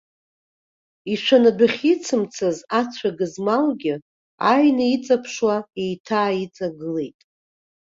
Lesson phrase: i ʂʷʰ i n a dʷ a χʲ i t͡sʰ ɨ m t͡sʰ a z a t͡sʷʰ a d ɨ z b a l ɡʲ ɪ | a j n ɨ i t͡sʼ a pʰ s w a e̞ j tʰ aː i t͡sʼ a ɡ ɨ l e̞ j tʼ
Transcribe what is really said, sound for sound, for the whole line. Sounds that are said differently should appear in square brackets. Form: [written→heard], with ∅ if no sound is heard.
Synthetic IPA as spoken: i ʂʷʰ [i→a] n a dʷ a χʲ i t͡sʰ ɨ m t͡sʰ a z a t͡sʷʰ a [d→ɡ] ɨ z [b→m] a l ɡʲ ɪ | a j n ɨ i t͡sʼ a pʰ [s→ʂ] w a e̞ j tʰ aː i t͡sʼ a ɡ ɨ l e̞ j tʼ